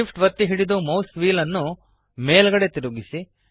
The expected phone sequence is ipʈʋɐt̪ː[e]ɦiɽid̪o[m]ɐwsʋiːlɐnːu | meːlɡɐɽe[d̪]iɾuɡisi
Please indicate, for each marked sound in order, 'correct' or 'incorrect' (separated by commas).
incorrect, correct, incorrect